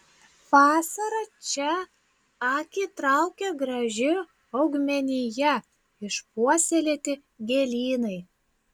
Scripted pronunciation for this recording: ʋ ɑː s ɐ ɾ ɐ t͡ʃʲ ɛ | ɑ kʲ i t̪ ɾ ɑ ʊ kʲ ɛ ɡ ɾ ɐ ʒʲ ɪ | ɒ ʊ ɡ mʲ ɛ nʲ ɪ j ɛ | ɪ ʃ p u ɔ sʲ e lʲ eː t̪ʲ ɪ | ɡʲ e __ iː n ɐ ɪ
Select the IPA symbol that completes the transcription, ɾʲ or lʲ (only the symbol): lʲ